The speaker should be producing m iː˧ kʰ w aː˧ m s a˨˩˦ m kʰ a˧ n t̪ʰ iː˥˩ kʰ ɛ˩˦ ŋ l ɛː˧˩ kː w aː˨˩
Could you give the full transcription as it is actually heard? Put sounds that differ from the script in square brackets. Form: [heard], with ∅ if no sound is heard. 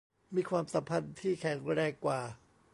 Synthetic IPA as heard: m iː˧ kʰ w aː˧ m s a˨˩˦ m [pʰ] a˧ n t̪ʰ iː˥˩ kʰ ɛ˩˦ ŋ [ɾ] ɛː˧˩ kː w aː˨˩